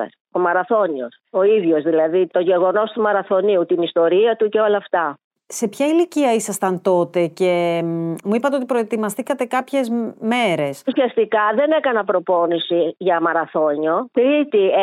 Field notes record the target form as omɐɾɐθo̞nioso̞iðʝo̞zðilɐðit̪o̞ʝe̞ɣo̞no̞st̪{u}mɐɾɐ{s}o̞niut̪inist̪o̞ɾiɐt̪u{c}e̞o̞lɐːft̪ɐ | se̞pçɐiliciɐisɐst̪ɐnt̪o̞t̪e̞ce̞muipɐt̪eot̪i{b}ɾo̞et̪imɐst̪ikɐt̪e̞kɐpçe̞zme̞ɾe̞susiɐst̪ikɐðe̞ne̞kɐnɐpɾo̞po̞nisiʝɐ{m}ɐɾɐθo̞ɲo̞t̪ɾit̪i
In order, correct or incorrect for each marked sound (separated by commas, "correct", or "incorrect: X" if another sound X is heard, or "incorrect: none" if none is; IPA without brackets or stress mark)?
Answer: correct, incorrect: θ, correct, incorrect: p, correct